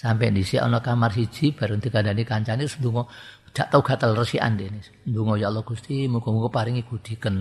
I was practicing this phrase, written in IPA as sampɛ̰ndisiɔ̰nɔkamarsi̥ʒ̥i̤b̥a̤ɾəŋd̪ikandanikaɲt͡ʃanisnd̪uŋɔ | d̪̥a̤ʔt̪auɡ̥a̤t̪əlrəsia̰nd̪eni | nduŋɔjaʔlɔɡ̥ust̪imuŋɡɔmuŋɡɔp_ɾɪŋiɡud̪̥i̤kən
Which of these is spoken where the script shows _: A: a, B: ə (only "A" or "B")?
A